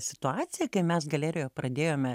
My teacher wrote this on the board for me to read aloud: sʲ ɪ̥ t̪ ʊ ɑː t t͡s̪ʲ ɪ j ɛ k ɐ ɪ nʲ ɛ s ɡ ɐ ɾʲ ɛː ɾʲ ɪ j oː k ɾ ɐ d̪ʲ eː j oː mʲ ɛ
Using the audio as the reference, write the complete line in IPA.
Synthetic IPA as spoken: sʲ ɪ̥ t̪ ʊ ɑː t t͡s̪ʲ ɪ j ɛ k ɐ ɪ mʲ ɛ s ɡ ɐ lʲ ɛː ɾʲ ɪ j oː p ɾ ɐ d̪ʲ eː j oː mʲ ɛ